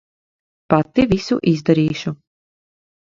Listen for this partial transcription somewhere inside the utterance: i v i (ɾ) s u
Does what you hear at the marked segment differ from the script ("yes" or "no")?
yes